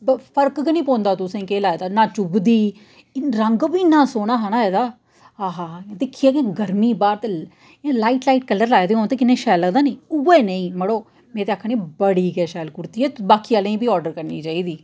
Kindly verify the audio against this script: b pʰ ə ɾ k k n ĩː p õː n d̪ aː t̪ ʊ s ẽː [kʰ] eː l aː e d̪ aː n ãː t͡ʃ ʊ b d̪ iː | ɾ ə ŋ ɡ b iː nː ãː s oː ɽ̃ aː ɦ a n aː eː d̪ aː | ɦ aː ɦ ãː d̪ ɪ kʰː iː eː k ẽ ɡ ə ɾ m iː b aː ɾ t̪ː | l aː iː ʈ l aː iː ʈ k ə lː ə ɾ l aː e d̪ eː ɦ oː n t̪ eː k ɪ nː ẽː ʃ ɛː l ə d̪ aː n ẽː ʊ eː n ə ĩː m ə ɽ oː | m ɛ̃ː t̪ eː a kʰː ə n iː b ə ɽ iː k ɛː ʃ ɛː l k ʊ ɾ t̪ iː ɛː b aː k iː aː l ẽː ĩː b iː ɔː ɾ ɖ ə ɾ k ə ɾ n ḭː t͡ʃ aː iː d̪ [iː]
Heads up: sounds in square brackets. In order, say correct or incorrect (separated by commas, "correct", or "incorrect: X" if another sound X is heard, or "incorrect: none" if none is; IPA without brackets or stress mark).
incorrect: k, correct